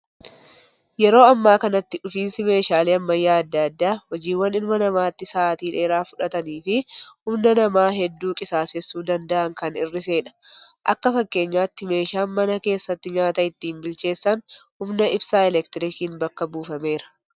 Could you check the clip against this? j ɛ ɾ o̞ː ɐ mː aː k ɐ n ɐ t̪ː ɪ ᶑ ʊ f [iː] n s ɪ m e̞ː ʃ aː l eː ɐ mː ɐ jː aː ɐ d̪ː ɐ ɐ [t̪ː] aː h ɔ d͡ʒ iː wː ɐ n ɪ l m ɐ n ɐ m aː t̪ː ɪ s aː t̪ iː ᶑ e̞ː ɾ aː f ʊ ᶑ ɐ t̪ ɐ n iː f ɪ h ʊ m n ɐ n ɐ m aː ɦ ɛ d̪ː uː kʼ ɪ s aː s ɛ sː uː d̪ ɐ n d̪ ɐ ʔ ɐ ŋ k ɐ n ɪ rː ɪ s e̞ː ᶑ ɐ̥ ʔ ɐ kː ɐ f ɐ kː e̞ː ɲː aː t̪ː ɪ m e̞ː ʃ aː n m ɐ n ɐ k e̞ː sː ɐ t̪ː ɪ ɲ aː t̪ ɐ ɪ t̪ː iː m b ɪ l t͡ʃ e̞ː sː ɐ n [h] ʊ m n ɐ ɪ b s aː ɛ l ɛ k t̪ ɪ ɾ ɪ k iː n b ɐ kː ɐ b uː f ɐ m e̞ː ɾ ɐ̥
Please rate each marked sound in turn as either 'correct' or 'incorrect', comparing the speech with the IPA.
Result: correct, incorrect, correct

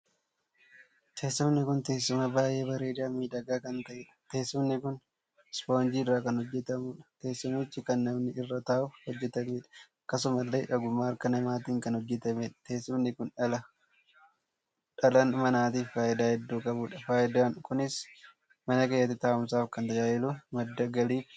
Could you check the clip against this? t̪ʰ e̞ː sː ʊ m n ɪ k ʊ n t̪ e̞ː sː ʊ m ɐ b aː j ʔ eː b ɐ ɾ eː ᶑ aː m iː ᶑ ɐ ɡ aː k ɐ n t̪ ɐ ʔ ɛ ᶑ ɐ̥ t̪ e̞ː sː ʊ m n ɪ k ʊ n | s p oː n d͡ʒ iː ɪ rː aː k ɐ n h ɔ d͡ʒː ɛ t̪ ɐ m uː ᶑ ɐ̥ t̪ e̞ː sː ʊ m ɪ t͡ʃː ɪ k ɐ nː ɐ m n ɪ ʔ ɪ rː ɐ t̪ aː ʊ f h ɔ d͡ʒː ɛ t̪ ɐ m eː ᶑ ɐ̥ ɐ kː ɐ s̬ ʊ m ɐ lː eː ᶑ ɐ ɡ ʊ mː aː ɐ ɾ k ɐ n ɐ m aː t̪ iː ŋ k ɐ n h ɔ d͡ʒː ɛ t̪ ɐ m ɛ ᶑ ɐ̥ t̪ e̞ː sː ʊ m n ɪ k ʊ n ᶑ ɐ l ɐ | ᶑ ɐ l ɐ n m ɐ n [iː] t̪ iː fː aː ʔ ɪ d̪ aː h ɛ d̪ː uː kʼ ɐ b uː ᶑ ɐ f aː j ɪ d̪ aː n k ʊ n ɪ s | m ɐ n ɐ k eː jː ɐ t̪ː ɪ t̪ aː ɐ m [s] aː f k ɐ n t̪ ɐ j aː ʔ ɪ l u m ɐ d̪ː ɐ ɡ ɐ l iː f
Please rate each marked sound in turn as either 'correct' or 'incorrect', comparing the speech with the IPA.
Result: incorrect, correct

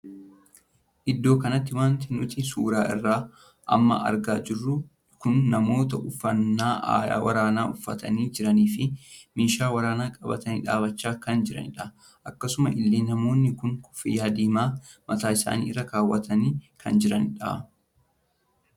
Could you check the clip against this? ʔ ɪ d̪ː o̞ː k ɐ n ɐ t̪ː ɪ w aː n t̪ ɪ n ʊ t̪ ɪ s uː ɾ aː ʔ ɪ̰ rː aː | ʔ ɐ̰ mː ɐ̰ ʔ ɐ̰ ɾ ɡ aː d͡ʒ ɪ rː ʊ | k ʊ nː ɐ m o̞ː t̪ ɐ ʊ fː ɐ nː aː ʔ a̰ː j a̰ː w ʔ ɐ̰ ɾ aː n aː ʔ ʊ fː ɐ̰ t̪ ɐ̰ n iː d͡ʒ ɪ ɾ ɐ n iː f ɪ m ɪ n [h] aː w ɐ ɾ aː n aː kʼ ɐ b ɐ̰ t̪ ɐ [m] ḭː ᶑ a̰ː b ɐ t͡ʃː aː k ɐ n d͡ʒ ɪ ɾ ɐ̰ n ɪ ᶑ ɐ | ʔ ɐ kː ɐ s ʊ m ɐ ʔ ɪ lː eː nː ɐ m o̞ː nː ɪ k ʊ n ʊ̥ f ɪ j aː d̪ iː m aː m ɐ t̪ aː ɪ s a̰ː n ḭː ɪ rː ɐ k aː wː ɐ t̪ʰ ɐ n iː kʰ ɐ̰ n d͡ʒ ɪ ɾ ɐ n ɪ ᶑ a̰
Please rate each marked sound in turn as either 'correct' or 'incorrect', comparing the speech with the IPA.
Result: incorrect, incorrect

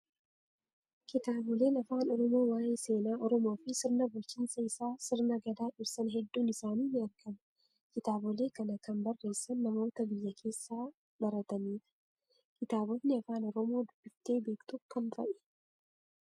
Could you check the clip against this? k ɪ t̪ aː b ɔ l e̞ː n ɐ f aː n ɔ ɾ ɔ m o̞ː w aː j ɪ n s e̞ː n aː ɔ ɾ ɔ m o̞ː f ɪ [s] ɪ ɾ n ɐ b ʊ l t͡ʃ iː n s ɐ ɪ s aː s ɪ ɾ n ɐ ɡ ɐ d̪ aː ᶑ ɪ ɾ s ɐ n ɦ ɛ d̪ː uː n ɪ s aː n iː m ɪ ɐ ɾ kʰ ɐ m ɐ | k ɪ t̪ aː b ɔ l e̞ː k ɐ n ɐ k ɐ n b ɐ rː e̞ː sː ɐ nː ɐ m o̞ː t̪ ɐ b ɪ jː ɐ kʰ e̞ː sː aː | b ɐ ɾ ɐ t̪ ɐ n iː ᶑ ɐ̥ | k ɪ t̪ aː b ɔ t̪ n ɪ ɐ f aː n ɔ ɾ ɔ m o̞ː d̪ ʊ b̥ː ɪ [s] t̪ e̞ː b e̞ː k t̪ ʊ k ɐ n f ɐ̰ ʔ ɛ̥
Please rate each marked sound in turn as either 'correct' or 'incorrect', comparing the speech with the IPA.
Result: correct, incorrect

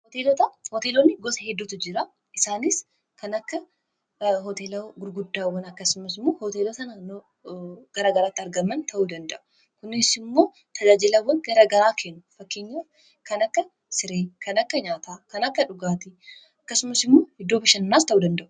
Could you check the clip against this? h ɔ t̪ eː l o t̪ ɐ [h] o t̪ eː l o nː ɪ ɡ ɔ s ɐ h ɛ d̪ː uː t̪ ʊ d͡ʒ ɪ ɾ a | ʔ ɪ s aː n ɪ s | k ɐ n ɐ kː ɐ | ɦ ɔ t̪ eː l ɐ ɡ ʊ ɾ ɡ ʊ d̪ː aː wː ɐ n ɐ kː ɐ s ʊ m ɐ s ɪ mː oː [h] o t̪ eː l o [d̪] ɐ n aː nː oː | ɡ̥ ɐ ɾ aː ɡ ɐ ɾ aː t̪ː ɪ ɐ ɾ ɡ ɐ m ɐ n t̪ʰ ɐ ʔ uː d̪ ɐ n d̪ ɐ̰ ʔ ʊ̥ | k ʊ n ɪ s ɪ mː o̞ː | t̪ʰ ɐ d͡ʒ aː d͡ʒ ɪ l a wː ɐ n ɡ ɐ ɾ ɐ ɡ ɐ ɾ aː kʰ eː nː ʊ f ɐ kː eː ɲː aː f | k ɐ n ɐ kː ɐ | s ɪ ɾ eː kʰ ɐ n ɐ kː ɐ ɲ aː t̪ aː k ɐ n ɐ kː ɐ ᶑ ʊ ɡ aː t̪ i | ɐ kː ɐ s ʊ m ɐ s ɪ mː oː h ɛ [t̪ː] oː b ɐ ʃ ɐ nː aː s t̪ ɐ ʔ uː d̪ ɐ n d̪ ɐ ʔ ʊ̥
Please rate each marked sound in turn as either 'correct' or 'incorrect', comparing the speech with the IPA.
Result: correct, correct, incorrect, incorrect

